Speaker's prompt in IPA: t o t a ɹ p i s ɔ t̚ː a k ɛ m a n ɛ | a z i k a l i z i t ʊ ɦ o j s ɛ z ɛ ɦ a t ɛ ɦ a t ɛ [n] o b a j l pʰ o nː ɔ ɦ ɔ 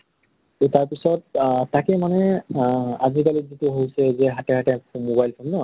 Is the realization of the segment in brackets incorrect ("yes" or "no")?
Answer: yes